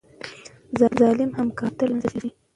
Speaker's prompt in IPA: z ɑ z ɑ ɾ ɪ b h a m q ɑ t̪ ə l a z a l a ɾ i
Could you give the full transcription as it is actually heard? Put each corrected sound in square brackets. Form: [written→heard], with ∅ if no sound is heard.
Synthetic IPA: z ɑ z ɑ [ɾ→l] ɪ [b→m] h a m [q→k] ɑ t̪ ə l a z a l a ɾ i